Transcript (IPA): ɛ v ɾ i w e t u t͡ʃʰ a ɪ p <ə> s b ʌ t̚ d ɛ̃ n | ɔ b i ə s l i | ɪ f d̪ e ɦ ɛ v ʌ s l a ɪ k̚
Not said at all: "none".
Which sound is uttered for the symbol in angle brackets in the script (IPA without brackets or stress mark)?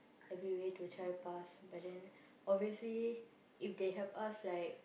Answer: a